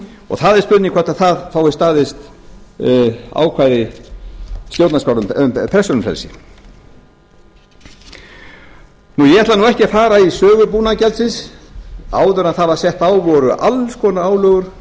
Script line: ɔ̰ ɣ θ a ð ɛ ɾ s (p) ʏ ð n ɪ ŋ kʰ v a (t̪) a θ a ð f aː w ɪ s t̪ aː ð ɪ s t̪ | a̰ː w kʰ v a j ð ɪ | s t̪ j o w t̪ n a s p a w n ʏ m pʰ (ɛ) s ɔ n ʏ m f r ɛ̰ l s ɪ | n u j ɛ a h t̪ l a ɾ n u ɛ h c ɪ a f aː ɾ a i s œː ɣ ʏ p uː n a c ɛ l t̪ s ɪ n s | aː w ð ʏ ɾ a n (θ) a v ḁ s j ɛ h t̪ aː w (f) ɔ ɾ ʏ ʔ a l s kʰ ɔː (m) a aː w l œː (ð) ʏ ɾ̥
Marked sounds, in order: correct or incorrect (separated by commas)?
correct, correct, correct, correct, incorrect, incorrect, incorrect